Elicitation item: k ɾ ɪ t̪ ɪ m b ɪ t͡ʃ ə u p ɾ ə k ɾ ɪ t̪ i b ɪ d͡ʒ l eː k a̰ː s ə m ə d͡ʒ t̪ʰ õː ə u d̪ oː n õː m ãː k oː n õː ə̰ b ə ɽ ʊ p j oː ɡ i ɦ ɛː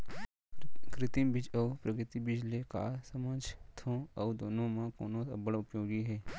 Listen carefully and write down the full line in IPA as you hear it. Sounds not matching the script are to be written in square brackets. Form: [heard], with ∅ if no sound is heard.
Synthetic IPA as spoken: k ɾ ɪ t̪ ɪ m b ɪ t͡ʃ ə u p ɾ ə k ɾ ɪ t̪ i b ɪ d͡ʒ l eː k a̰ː s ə m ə d͡ʒ t̪ʰ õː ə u d̪ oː n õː m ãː k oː n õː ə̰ b ə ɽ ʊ p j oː ɡ i ɦ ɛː